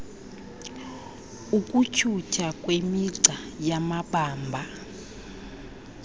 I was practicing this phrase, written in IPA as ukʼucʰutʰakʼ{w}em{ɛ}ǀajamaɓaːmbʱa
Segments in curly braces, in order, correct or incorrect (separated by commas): correct, incorrect